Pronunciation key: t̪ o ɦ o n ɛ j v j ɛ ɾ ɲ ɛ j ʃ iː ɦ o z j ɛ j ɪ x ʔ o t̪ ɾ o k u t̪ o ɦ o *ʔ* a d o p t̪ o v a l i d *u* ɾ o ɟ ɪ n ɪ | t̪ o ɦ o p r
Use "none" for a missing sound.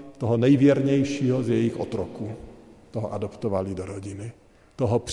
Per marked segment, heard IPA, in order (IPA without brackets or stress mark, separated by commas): ʔ, o